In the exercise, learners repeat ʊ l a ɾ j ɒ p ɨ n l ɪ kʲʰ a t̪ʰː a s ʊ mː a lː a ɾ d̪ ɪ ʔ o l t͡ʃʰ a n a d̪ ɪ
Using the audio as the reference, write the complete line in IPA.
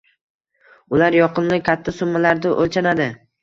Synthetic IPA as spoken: ʊ l a ɾ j ɒ q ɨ n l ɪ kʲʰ a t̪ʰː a s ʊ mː a l a ɾ d̪ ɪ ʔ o l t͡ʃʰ a n a d̪ ɪ